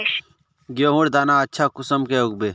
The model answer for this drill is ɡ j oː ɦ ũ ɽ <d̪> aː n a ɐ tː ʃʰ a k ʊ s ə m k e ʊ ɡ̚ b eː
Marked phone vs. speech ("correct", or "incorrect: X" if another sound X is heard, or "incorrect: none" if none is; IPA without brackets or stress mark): correct